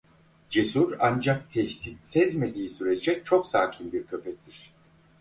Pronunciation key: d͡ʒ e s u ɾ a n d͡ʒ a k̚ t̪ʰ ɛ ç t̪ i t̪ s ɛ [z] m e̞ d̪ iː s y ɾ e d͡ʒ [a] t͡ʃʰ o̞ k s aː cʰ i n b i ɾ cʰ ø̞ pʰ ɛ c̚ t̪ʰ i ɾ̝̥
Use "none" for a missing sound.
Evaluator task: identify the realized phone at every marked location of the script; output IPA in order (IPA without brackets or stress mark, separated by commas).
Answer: z, ɛ